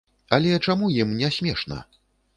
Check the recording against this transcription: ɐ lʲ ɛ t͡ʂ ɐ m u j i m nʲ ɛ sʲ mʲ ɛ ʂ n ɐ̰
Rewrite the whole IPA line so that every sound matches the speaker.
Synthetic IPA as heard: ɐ lʲ ɛ t͡ʂ a m u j i m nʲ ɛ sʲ mʲ ɛ ʂ n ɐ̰